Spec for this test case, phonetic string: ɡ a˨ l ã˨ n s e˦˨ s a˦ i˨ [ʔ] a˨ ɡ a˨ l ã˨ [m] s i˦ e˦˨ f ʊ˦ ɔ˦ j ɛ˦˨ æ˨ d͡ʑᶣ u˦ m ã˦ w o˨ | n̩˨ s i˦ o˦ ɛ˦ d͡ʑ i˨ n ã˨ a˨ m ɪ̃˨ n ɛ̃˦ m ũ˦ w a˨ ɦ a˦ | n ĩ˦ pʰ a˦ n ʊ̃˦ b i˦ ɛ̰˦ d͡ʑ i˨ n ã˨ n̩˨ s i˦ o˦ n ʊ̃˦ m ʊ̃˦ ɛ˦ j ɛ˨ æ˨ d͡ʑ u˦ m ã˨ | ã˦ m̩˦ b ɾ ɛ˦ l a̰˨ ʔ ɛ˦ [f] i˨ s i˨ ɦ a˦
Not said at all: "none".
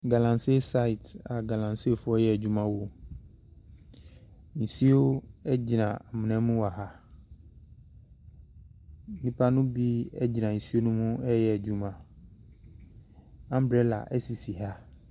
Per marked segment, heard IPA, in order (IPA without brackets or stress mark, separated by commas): t, n, s